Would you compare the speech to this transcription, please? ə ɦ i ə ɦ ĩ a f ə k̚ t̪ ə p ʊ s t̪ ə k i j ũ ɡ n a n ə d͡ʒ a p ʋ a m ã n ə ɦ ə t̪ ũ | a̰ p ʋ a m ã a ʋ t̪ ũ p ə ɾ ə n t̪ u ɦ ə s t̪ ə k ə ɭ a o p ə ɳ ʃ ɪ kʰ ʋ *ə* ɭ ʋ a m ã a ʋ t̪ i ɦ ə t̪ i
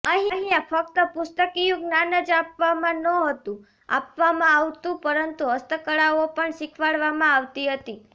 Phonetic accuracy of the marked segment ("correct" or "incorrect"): incorrect